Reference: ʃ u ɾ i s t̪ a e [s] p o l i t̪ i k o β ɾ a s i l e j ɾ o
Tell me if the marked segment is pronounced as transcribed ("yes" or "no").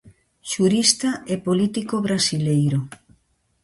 no